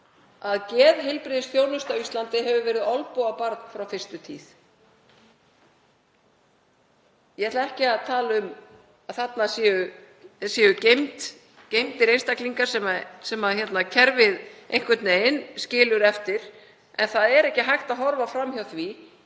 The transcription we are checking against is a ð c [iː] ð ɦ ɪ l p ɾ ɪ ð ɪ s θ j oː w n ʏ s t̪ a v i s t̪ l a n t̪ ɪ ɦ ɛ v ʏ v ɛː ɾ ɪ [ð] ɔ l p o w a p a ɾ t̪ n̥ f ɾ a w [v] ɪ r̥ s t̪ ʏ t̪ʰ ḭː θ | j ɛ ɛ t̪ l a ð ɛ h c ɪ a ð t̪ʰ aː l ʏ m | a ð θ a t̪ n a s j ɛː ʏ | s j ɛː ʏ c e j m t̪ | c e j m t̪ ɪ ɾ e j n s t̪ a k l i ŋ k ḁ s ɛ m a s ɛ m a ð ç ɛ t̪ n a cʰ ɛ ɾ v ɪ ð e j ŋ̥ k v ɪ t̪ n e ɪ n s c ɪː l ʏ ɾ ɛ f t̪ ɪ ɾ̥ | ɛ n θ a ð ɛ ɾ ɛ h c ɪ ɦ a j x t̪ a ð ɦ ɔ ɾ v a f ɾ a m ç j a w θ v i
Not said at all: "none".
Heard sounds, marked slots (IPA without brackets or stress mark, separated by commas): ɛː, ð, f